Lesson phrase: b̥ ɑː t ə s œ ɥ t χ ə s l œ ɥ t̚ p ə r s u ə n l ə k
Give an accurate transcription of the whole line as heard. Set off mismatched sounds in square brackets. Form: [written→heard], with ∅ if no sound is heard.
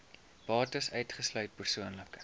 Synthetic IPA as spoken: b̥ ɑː t ə s œ ɥ t χ ə s l œ ɥ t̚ p ə r s u ə n l ə k